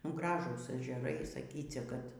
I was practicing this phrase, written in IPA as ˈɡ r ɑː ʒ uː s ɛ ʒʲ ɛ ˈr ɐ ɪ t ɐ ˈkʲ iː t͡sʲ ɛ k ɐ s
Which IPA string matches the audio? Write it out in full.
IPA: ˈɡ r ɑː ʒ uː s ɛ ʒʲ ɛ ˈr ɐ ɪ s ɐ ˈkʲ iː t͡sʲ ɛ k ɐ t